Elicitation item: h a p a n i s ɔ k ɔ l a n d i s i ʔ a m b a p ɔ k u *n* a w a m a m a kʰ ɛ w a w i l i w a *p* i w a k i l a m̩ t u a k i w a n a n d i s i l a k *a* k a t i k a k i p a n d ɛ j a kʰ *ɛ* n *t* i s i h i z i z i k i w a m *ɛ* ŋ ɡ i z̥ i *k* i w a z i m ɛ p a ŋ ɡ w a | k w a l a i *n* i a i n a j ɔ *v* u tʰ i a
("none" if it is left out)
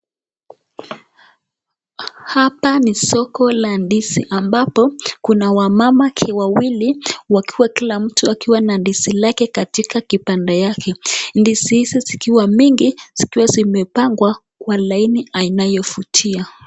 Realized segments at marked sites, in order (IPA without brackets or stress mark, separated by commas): n, k, ɛ, ɛ, d, i, k, n, f